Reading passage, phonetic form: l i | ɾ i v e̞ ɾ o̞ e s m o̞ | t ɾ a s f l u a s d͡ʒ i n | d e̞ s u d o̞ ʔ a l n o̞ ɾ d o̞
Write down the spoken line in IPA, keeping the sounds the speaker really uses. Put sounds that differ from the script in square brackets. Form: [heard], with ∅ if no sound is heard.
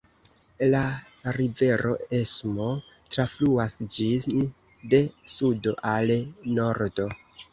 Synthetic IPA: l [a] | ɾ i v e̞ ɾ o̞ e s m o̞ | t ɾ a [∅] f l u a s d͡ʒ i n | d e̞ s u d o̞ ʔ a l n o̞ ɾ d o̞